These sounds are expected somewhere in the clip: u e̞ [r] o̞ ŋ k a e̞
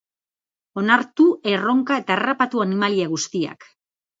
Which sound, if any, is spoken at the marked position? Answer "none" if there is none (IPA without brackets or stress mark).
r